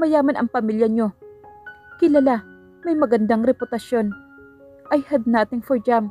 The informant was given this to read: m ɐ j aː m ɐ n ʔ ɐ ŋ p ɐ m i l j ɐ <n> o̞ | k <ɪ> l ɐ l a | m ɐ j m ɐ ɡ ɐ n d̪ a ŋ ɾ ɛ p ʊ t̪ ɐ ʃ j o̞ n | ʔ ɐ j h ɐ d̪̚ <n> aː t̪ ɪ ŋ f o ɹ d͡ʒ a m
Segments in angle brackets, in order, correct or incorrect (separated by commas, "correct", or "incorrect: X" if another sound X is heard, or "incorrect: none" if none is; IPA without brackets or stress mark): incorrect: ɲ, correct, correct